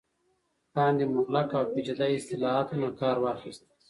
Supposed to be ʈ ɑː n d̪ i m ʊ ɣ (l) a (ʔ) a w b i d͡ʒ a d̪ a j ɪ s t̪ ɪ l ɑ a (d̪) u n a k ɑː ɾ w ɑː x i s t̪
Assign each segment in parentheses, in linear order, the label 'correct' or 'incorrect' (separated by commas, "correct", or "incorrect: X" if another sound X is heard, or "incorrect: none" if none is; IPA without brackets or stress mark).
correct, incorrect: k, incorrect: t̪